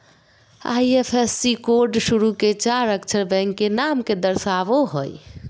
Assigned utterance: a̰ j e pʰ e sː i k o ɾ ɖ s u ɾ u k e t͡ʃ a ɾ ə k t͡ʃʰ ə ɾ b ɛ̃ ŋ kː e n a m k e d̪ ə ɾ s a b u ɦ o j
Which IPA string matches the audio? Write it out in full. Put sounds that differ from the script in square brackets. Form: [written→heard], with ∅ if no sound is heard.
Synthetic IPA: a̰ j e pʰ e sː i k o ɾ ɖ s u ɾ u k e t͡ʃ a ɾ ə k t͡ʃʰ ə ɾ b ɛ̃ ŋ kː e n a m k e d̪ ə ɾ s a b [u→o] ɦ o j